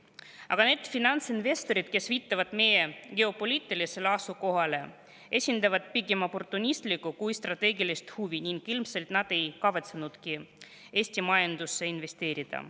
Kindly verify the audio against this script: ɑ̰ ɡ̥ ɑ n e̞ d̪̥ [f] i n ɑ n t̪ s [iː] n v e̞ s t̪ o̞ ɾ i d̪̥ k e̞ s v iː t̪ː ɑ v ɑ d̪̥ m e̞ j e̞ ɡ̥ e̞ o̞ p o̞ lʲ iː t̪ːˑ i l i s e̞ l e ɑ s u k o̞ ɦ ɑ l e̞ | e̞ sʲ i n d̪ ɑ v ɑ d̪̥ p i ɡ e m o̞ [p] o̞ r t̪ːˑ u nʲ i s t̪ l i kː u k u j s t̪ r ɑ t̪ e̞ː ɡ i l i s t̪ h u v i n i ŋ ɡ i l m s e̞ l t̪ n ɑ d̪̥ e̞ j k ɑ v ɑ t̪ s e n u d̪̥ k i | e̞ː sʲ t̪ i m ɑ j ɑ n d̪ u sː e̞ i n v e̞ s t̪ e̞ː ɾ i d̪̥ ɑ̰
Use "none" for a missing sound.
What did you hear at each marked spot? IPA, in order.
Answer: f, i, p

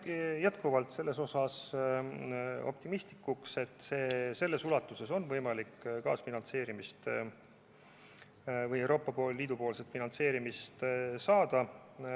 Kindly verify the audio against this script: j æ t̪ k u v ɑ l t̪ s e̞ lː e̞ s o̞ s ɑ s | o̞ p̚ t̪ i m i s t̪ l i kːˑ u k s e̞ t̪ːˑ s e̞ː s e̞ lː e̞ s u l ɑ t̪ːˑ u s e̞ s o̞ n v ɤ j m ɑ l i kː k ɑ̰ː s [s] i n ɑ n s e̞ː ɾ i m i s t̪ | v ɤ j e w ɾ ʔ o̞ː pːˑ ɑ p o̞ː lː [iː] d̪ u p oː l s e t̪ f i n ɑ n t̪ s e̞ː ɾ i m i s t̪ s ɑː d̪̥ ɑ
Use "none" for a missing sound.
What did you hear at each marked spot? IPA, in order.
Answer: f, iː

